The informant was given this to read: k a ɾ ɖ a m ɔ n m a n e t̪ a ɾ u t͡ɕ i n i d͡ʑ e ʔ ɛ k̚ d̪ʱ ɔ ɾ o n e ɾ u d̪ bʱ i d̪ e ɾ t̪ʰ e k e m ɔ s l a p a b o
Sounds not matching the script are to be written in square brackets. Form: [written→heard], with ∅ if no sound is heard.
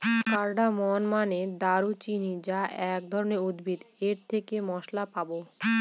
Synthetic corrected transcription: k a ɾ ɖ a m ɔ n m a n e [t̪→d̪] a ɾ u t͡ɕ i n i d͡ʑ [e→a] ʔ ɛ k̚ d̪ʱ ɔ ɾ o n e ɾ u d̪ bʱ i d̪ e ɾ t̪ʰ e k e m ɔ [s→ʃ] l a p a b o

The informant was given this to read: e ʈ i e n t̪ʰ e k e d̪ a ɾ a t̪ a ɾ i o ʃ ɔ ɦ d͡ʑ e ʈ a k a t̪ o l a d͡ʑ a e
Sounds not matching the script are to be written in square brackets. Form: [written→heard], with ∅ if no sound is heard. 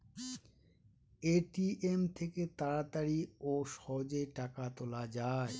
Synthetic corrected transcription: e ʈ i e [n→m] t̪ʰ e k e [d̪→t̪] a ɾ a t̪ a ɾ i o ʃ ɔ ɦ d͡ʑ e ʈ a k a t̪ o l a d͡ʑ a e

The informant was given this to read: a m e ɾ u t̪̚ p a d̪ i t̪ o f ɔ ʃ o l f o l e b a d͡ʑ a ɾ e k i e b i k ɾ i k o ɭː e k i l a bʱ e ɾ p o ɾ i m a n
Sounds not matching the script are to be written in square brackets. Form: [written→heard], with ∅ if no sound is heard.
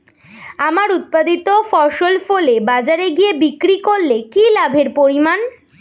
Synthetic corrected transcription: a m [e→a] ɾ u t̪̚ p a d̪ i t̪ o f ɔ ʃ o l f o l e b a d͡ʑ a ɾ e [k→ɡ] i e b i k ɾ i k o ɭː e k i l a bʱ e ɾ p o ɾ i m a n

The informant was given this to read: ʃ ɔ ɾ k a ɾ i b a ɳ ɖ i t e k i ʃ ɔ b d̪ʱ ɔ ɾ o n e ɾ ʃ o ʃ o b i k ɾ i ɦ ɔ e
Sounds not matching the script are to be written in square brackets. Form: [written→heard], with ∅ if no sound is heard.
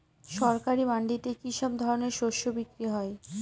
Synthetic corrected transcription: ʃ ɔ ɾ k a ɾ i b a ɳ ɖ i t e k i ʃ ɔ b d̪ʱ ɔ ɾ o n e ɾ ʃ o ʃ o b i k ɾ i ɦ ɔ e

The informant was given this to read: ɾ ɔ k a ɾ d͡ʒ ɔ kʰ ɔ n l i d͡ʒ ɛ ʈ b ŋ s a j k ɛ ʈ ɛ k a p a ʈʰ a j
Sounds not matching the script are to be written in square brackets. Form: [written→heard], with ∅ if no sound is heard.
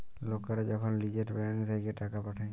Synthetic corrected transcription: [ɾ→l] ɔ k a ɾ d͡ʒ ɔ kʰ ɔ n l i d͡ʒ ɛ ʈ b ŋ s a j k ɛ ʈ [ɛ→a] k a p a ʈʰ a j

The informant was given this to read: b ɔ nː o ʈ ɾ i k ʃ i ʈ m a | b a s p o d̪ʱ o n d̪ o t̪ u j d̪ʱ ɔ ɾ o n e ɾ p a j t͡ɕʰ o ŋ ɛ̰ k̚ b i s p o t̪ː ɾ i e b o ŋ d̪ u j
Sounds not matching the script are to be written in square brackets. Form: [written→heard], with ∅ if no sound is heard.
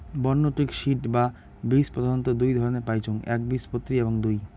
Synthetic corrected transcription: b ɔ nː o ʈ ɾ i k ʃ i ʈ [m→b] a | b [a→i] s p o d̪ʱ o n [d̪→t̪] o [t̪→d̪] u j d̪ʱ ɔ ɾ o n e ɾ p a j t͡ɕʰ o ŋ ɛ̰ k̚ b i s p o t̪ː ɾ i e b o ŋ d̪ u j

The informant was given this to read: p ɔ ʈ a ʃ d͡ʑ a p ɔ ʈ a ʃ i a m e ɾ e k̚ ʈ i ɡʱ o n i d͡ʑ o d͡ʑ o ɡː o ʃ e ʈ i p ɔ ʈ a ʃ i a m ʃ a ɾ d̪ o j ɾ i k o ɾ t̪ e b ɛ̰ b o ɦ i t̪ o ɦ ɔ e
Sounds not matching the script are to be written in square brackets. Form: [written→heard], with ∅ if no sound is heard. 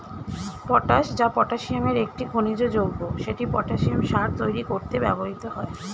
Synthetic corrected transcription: p ɔ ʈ a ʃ d͡ʑ a p ɔ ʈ a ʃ i a m e ɾ e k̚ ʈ i ɡʱ o n i d͡ʑ o d͡ʑ o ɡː o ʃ e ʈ i p ɔ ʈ a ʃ i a m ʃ a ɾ [d̪→t̪] o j ɾ i k o ɾ t̪ e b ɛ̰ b o ɦ i t̪ o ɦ ɔ e

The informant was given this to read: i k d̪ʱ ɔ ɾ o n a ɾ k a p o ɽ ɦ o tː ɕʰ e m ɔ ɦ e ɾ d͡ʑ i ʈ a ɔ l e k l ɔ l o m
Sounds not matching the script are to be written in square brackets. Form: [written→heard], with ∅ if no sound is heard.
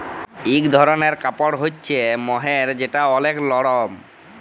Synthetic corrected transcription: i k d̪ʱ ɔ ɾ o n [a→e] ɾ k a p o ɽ ɦ o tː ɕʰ e m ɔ ɦ e ɾ d͡ʑ [i→e] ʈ a ɔ l e k l ɔ [l→ɽ] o m

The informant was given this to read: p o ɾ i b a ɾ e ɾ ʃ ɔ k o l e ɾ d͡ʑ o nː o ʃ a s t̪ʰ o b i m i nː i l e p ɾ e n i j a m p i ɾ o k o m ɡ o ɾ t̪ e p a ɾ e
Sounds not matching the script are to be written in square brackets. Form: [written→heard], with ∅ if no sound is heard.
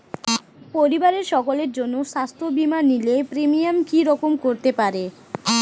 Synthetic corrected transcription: p o ɾ i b a ɾ e ɾ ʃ ɔ k o l e ɾ d͡ʑ o nː o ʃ a s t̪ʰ o b i m [i→a] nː i l e p ɾ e [n→m] i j a m [p→k] i ɾ [o→ɔ] k o m [ɡ→k] o ɾ t̪ e p a ɾ e

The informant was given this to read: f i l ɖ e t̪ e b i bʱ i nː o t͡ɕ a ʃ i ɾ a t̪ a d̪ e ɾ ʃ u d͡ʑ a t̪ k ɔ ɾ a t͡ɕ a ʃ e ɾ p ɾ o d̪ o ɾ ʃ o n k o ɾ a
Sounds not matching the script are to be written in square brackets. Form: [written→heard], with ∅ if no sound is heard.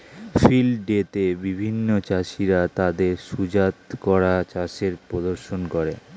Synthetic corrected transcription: f i l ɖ e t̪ e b i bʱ i nː o t͡ɕ a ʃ i ɾ a t̪ a d̪ e ɾ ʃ u d͡ʑ a t̪ k ɔ ɾ a t͡ɕ a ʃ e ɾ p ɾ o d̪ o ɾ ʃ o n k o ɾ [a→e]

